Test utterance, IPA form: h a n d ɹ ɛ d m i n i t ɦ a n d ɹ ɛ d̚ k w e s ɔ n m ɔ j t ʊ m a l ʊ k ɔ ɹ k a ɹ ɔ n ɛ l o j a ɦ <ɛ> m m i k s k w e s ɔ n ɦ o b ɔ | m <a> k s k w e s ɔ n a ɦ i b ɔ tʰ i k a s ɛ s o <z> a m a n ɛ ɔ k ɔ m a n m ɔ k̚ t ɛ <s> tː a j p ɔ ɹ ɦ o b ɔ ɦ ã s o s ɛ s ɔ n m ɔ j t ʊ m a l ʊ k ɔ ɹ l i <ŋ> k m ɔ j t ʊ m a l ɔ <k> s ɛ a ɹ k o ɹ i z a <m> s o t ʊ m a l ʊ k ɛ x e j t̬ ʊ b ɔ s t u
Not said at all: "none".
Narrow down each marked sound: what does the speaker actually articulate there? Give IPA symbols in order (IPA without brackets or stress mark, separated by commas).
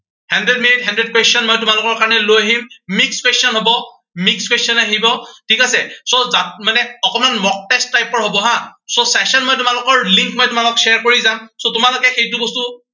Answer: i, i, z, s, ŋ, k, m